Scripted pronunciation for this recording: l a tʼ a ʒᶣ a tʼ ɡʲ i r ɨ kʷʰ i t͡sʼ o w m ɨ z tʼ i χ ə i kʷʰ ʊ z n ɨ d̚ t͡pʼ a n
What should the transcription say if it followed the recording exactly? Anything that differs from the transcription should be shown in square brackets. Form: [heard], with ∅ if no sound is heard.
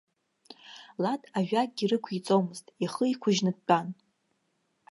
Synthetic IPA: l a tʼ a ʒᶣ a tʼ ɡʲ i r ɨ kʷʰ i t͡sʼ o w m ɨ z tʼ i χ ə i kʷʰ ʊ [ʒ] n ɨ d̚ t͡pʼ a n